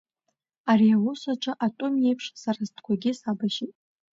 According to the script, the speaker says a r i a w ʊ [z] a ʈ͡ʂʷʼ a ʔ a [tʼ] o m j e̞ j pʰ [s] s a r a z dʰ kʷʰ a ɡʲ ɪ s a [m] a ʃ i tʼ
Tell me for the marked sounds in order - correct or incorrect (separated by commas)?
incorrect, correct, incorrect, incorrect